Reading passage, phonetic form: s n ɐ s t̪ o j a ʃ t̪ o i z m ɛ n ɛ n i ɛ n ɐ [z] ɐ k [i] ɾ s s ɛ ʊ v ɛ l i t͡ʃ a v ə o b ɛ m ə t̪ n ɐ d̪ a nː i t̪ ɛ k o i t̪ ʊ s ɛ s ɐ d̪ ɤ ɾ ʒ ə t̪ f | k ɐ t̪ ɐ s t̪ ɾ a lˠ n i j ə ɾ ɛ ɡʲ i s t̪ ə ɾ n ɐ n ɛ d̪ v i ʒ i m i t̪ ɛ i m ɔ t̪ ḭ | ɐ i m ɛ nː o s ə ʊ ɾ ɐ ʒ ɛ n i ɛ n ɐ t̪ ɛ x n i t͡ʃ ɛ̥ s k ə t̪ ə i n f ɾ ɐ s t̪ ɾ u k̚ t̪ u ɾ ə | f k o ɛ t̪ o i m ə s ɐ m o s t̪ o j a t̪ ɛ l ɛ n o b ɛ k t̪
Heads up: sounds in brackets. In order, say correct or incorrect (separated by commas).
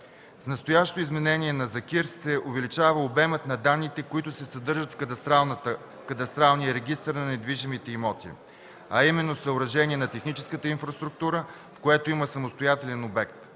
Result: correct, correct